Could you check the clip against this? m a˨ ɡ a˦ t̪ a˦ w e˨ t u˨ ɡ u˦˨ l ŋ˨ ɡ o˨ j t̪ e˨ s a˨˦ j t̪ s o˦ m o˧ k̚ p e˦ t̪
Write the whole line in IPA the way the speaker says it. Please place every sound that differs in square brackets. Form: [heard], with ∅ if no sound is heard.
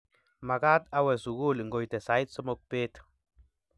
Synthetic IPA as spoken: m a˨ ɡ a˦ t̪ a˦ w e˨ [s] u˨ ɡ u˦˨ l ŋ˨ ɡ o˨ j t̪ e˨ s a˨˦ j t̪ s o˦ m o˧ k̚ p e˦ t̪

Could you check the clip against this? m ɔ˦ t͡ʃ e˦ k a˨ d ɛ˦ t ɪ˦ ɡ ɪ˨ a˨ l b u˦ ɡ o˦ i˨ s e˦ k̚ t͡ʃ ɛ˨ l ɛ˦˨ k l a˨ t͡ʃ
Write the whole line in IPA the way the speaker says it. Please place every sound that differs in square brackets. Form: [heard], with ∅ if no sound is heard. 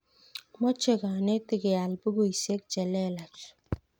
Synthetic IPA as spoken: m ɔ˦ t͡ʃ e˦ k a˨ [n] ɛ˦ t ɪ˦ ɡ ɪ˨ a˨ l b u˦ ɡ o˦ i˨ s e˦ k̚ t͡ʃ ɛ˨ l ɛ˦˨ [∅] l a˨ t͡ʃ

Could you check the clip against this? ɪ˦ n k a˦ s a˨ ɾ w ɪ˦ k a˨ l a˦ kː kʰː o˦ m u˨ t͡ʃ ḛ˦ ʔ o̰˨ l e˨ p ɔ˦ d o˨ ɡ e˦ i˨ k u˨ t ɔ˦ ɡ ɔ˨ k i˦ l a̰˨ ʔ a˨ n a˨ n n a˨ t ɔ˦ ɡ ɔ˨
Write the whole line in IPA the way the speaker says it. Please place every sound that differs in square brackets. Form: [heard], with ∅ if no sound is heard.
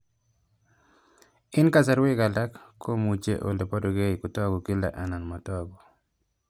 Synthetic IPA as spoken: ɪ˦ n k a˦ s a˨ ɾ w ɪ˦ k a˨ l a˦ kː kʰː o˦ m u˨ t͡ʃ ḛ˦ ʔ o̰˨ l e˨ p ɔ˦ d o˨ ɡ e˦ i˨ k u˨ t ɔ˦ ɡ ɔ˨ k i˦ l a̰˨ ʔ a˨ n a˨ n [m] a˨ t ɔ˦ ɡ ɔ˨

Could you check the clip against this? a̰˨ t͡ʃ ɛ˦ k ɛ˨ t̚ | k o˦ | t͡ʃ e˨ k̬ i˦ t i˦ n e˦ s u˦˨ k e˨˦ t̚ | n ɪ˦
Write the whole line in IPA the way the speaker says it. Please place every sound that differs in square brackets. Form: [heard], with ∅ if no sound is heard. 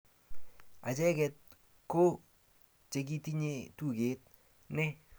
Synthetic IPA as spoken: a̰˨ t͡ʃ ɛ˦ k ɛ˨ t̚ | k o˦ | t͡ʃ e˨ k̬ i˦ t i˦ [ɲ] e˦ [t] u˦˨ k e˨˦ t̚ | n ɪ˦

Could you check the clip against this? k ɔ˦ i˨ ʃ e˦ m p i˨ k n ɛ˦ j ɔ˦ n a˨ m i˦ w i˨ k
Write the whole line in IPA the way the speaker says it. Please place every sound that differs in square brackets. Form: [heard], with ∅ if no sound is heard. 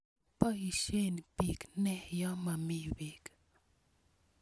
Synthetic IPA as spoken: [p] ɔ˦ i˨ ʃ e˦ [n] p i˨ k n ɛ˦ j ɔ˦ [m] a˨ m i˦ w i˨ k

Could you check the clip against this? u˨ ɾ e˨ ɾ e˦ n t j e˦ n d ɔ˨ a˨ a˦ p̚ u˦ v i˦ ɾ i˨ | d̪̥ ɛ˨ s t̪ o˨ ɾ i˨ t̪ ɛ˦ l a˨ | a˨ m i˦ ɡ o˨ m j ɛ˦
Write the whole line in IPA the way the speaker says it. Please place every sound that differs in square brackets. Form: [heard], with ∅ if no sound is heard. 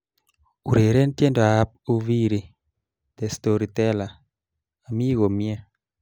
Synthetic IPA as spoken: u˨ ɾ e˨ ɾ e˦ n t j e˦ n d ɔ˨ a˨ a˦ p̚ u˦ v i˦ ɾ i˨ | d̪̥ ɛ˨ s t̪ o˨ ɾ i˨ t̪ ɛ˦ l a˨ | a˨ m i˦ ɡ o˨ m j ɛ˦

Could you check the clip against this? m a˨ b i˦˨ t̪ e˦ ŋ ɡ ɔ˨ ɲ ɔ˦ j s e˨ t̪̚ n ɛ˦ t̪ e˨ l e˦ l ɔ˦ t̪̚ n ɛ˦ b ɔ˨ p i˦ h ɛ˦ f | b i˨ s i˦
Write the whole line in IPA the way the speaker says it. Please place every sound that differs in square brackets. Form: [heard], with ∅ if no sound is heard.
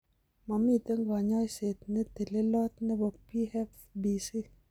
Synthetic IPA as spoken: m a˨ [m] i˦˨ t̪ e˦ ŋ ɡ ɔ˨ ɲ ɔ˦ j s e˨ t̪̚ n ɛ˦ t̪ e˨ l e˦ l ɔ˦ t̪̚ n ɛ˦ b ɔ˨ p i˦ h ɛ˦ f | b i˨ s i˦

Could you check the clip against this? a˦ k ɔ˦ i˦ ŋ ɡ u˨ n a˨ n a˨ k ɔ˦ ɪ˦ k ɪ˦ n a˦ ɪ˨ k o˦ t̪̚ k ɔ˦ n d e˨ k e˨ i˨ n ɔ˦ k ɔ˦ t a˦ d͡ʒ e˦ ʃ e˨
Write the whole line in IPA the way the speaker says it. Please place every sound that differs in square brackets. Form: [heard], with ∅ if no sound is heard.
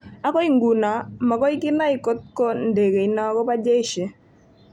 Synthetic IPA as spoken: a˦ k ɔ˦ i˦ ŋ ɡ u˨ n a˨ [m] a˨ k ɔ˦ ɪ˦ k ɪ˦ n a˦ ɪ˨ k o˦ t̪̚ k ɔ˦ n d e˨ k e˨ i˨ n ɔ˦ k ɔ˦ [p] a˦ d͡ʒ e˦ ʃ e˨

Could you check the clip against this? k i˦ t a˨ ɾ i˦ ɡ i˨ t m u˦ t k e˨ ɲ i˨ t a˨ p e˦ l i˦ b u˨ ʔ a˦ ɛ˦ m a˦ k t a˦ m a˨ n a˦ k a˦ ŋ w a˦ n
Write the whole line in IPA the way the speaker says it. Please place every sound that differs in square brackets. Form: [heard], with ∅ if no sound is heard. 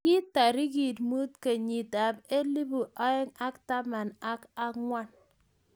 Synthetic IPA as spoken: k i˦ t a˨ ɾ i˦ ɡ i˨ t m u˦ t k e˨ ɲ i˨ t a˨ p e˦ l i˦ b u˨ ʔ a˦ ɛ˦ [ŋ] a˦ k t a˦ m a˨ n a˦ k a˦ ŋ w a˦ n

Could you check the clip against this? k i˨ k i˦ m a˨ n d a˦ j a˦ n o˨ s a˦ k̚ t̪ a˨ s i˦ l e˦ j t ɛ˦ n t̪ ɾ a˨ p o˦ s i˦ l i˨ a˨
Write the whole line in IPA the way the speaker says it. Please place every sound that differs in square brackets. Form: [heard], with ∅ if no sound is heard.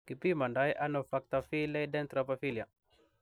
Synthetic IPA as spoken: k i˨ [p] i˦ m a˨ n d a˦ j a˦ n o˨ [f] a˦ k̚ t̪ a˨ [f] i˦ l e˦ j [d] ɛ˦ n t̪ ɾ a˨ p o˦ [f] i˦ l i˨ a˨

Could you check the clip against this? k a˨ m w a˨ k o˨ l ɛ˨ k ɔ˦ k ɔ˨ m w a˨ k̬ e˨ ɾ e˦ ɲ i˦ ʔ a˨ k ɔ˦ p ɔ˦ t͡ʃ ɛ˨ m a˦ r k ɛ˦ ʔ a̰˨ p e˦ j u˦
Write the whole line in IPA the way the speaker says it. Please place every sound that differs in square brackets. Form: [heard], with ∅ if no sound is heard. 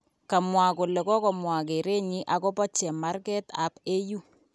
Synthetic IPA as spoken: k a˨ m w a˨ k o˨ l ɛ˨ k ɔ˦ k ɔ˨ m w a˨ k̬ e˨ ɾ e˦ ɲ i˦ ʔ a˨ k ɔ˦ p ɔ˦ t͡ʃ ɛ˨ m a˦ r k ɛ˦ [t] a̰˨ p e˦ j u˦

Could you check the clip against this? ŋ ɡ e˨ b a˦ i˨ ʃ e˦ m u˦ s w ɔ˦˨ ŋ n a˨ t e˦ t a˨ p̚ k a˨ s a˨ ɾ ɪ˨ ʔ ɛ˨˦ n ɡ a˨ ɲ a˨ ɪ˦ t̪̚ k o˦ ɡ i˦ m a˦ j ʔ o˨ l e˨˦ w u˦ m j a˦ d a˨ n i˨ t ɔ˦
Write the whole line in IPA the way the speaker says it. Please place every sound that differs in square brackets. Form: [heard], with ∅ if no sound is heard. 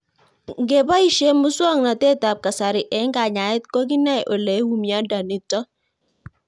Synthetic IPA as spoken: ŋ ɡ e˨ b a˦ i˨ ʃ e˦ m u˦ s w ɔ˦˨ ŋ n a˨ t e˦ t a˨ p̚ k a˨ s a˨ ɾ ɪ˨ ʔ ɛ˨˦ [ŋ] ɡ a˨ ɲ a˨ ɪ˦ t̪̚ k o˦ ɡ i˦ [n] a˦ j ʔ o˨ l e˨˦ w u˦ m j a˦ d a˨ n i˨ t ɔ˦

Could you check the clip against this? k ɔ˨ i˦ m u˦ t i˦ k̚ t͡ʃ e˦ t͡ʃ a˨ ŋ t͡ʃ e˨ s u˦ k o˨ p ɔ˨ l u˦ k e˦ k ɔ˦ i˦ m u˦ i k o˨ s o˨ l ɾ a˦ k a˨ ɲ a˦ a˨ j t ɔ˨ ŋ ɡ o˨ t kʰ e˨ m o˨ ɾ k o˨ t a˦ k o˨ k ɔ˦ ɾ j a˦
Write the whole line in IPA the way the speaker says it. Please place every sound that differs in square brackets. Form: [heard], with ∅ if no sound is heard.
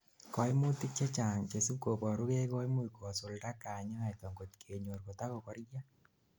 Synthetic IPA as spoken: k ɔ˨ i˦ m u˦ t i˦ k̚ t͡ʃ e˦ t͡ʃ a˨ ŋ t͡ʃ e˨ s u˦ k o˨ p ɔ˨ [ɾ] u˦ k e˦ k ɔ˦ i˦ m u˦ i k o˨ s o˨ l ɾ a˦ k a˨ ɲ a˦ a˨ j t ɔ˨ ŋ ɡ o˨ t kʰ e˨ [ɲ] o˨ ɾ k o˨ t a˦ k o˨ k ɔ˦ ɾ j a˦

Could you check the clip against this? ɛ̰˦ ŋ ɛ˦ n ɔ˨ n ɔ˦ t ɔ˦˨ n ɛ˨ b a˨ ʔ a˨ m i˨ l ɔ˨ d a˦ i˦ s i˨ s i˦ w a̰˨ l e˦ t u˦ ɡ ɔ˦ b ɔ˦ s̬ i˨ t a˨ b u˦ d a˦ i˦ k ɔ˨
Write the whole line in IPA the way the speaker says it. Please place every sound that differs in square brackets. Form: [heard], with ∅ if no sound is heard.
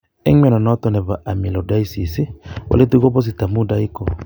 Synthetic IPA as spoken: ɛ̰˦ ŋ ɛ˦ n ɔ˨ n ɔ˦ t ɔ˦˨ n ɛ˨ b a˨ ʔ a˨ m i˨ l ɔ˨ d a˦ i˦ s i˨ s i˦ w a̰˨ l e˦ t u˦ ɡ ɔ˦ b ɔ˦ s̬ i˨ t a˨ [m] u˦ d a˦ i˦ k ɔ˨

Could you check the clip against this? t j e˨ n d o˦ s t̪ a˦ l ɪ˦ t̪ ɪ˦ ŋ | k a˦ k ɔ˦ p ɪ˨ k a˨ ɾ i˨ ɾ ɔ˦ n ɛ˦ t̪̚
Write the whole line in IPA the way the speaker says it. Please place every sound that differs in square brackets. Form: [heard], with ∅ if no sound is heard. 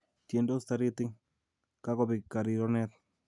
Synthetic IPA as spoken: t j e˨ n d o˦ s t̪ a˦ [ɾ] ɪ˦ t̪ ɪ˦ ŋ | k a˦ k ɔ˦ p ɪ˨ k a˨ ɾ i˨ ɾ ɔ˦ n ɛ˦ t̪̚

